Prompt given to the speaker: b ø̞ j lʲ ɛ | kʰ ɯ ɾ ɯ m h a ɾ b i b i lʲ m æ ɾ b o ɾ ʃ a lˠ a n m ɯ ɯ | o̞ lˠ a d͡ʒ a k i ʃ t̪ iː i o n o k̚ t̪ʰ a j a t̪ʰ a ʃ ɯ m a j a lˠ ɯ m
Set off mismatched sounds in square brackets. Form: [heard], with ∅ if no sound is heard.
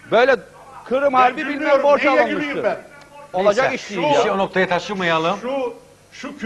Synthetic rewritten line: b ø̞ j lʲ ɛ | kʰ ɯ ɾ ɯ m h a ɾ b i b i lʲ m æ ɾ b o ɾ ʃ a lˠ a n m ɯ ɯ | o̞ lˠ a d͡ʒ a k i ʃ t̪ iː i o n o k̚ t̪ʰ a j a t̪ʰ a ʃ ɯ m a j a lˠ ɯ m

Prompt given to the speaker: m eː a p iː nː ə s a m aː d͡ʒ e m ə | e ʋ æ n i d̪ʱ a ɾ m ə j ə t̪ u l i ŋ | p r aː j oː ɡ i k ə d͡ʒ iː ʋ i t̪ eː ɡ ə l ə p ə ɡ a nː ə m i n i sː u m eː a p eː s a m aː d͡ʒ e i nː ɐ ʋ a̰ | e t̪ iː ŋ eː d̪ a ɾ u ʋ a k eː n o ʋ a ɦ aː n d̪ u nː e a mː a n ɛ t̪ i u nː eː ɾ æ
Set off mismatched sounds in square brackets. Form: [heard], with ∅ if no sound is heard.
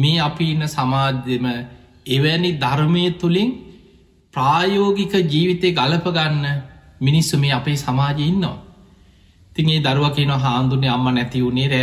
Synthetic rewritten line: m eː a p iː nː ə s a m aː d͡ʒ e m ə | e ʋ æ n i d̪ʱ a ɾ m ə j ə t̪ u l i ŋ | p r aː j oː ɡ i k ə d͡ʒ iː ʋ i t̪ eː ɡ [a] l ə p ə ɡ a nː ə m i n i sː u m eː a p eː s a m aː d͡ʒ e i nː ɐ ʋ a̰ | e t̪ [i] ŋ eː d̪ a ɾ u ʋ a k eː n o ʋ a ɦ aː n d̪ u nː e a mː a n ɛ t̪ i u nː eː ɾ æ

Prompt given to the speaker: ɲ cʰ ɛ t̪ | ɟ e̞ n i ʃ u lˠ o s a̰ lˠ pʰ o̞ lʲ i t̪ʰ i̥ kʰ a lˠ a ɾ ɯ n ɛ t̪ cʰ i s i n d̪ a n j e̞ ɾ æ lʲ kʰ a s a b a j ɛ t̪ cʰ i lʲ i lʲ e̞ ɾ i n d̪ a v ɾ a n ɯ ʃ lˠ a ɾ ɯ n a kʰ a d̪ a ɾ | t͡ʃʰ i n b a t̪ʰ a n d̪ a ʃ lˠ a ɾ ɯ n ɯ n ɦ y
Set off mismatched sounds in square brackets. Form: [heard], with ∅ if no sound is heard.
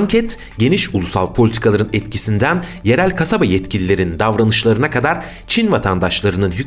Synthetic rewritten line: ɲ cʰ ɛ t̪ | ɟ e̞ n i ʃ u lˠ [u] s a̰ lˠ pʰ o̞ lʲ i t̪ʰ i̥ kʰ a lˠ a ɾ ɯ n ɛ t̪ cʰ i s i n d̪ [æ] n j e̞ ɾ æ lʲ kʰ a s a b a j ɛ t̪ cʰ i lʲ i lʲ e̞ ɾ i n d̪ a v ɾ a n ɯ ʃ lˠ a ɾ ɯ n a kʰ a d̪ a ɾ | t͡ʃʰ i n [v] a t̪ʰ a n d̪ a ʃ lˠ a ɾ ɯ n ɯ n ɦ y

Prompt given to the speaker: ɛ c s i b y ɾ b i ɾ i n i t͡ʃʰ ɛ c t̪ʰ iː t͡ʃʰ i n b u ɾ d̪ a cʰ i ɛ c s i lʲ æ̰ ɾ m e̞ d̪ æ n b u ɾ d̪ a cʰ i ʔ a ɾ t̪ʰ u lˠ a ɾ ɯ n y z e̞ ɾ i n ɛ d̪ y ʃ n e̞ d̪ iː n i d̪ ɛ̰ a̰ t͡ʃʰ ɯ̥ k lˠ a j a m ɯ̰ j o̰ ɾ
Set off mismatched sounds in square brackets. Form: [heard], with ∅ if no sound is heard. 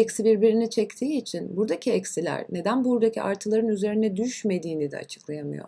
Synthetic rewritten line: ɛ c s i b [i] ɾ b i ɾ i n i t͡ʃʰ ɛ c t̪ʰ iː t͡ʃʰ i n b u ɾ d̪ a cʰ i ɛ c s i lʲ æ̰ ɾ [n] e̞ d̪ æ n b u ɾ d̪ a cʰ i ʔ a ɾ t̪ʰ [ɯ] lˠ a ɾ ɯ n y z e̞ ɾ i n ɛ d̪ y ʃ [m] e̞ d̪ iː n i d̪ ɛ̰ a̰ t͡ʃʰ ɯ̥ k lˠ a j a m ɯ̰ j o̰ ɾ

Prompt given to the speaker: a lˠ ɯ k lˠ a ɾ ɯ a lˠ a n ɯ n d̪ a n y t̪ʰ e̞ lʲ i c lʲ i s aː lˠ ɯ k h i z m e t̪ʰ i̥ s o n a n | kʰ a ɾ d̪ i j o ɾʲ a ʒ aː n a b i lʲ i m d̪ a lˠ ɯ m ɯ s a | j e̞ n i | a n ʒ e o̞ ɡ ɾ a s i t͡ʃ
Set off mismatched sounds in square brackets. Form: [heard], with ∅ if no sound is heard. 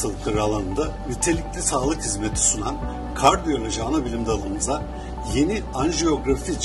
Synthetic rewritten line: a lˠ ɯ k lˠ a ɾ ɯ a lˠ a n ɯ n d̪ a n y t̪ʰ e̞ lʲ i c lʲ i s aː lˠ ɯ k h i z m e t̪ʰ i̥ s [u] n a n | kʰ a ɾ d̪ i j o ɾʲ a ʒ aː n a b i lʲ i m d̪ a lˠ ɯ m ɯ [z] a | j e̞ n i | a n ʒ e o̞ ɡ ɾ a [f] i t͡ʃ

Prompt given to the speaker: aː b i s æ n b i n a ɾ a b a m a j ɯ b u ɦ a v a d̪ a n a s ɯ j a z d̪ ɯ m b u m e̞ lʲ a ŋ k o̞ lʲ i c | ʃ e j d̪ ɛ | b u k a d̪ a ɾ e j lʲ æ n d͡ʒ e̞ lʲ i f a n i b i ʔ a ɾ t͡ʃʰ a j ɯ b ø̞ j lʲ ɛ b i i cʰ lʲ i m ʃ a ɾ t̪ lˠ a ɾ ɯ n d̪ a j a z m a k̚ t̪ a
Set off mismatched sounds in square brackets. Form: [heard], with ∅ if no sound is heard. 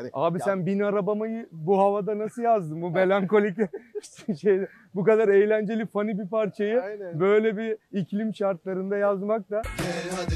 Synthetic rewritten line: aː b i s æ n b i n a ɾ a b a m a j ɯ b u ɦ a v a d̪ a n a s ɯ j a z d̪ ɯ m b u m e̞ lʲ a ŋ k o̞ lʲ i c | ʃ e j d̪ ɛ | b u k a d̪ a ɾ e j lʲ æ n d͡ʒ e̞ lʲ i f a n i b i [p] a ɾ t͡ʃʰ a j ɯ b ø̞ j lʲ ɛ b i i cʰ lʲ i m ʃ a ɾ t̪ lˠ a ɾ ɯ n d̪ a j a z m a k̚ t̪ a

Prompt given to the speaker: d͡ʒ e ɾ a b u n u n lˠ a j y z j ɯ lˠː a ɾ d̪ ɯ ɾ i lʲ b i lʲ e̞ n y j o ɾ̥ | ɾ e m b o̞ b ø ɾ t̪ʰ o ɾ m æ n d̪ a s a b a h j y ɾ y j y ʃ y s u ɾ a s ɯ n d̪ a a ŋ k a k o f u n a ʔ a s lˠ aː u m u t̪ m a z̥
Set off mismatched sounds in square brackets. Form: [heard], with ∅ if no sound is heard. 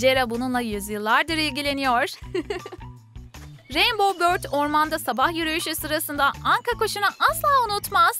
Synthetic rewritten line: d͡ʒ e ɾ a b u n u n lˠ a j y z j ɯ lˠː a ɾ d̪ ɯ ɾ i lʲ [ɟ] i lʲ e̞ n [i] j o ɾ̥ | ɾ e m b o̞ b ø ɾ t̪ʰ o ɾ m [a] n d̪ a s a b a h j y ɾ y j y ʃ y s [ɯ] ɾ a s ɯ n d̪ a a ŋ k a k o [ʃ] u n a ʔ a s lˠ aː u [n] u t̪ m a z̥

